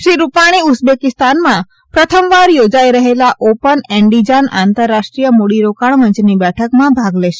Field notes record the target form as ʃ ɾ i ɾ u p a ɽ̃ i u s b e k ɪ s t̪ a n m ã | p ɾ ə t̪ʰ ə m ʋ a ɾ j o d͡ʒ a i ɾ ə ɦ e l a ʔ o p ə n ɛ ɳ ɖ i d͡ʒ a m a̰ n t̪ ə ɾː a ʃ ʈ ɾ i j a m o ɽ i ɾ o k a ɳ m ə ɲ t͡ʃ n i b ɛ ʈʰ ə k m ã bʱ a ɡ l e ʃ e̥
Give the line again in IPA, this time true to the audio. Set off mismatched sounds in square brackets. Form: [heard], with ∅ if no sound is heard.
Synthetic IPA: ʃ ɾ i ɾ u p a ɽ̃ i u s b e k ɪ s t̪ a n m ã | p ɾ ə t̪ʰ ə m ʋ a ɾ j o d͡ʒ a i ɾ ə ɦ e l a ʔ o p ə n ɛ ɳ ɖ i d͡ʒ a [n] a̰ n t̪ ə ɾː a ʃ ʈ ɾ i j [ə] m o ɽ i ɾ o k a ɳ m ə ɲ t͡ʃ n i b ɛ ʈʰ ə k m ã bʱ a ɡ l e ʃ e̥